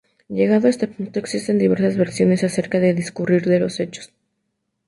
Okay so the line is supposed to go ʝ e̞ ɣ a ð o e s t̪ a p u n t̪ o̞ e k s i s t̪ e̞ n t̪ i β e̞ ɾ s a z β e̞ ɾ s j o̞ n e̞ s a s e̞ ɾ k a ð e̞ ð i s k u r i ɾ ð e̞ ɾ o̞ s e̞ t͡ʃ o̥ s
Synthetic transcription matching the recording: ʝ e̞ ɣ a ð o e s t̪ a p u n t̪ o̞ e k s i s t̪ e̞ n d̪ i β e̞ ɾ s a z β e̞ ɾ s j o̞ n e̞ s a s e̞ ɾ k a ð e̞ ð i s k u r i ɾ ð e̞ l o̞ s e̞ t͡ʃ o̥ s